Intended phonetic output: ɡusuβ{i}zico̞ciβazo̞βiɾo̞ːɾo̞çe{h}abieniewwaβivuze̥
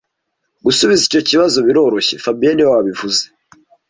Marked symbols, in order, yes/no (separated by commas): yes, no